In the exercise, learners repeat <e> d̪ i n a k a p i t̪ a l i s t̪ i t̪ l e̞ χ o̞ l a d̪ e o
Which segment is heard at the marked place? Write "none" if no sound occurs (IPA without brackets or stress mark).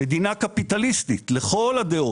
e